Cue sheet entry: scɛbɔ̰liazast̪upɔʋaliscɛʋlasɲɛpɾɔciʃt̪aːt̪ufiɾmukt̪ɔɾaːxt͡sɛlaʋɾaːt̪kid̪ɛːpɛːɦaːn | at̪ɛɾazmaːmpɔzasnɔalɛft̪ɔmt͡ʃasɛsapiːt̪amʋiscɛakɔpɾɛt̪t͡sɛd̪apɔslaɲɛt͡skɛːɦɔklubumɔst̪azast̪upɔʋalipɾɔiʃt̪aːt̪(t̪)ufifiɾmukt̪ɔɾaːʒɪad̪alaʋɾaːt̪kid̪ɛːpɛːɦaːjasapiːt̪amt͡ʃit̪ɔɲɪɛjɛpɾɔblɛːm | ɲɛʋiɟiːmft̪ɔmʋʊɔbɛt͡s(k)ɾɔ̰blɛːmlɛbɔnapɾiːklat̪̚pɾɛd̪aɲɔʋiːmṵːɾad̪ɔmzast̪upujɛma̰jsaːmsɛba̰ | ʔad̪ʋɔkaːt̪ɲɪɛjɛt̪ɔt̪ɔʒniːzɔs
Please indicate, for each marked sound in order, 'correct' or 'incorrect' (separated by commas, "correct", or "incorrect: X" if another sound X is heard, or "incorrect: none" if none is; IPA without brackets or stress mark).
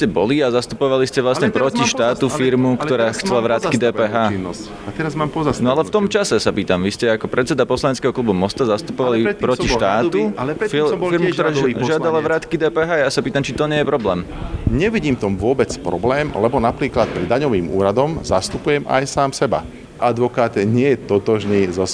correct, incorrect: p